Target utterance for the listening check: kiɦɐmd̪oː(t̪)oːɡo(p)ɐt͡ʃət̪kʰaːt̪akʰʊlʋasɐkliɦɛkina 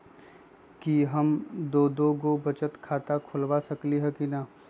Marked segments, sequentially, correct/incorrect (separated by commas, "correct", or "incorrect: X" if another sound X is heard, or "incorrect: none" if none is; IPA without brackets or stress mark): incorrect: d̪, incorrect: b